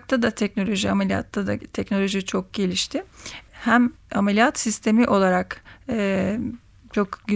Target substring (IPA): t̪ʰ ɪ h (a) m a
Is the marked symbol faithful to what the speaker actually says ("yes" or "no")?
no